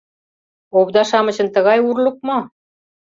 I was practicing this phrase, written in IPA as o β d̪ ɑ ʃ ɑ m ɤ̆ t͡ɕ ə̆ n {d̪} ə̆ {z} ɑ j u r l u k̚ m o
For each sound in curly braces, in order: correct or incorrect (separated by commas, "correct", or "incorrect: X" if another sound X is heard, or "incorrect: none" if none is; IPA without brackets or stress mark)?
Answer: incorrect: t̪, incorrect: ɣ